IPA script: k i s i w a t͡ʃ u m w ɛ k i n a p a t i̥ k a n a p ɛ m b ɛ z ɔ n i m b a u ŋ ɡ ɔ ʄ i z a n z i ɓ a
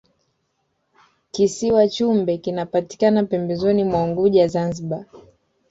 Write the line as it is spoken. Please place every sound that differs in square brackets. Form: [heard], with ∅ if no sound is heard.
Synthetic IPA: k i s i w a t͡ʃ u m [b] ɛ k i n a p a t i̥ k a n a p ɛ m b ɛ z ɔ n i m [w] a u ŋ ɡ [u] ʄ [a] z a n z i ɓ a